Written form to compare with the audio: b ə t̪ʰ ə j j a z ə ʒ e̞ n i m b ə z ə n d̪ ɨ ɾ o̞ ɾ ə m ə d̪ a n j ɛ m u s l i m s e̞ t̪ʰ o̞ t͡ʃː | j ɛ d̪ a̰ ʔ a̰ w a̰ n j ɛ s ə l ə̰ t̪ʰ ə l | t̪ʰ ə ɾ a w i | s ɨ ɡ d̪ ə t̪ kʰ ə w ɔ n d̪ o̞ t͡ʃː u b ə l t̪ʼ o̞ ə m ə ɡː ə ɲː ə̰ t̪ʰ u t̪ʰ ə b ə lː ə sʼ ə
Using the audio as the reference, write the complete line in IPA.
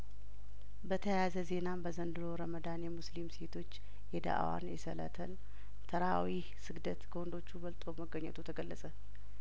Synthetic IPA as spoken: b ə t̪ʰ ə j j a z ə z e̞ n a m b ə z ə n d̪ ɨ ɾ o̞ ɾ ə m ə d̪ a n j ɛ m u s l i m s e̞ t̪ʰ o̞ t͡ʃː | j ɛ d̪ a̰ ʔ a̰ w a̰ n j ɛ s ə l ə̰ t̪ʰ ə l | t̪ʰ ə ɾ a w i | s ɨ ɡ d̪ ə t̪ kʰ ə w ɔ n d̪ o̞ t͡ʃː u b ə l t̪ʼ o̞ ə m ə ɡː ə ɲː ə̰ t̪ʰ u t̪ʰ ə ɡ ə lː ə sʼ ə